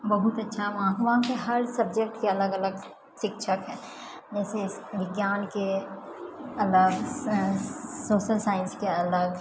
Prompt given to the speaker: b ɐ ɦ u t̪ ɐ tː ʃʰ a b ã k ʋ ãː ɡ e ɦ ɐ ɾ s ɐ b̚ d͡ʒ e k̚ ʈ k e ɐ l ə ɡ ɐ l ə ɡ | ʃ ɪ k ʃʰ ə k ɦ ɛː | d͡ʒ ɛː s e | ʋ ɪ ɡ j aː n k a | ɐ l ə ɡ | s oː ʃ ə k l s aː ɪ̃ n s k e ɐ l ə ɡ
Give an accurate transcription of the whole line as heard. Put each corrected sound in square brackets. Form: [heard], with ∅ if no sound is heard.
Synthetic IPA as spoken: b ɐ ɦ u t̪ ɐ tː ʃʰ a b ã k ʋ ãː [k] e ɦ ɐ ɾ s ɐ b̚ d͡ʒ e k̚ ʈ k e ɐ l ə ɡ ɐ l ə ɡ | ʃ ɪ k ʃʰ ə k ɦ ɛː | d͡ʒ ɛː s e | ʋ ɪ ɡ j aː n k [e] | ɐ l ə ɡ | s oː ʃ ə [∅] l s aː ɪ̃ n s k e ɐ l ə ɡ